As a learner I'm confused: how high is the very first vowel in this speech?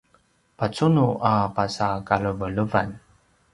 low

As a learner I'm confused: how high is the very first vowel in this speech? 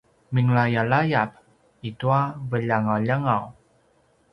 high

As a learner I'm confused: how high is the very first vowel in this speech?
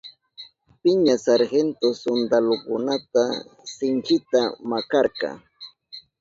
high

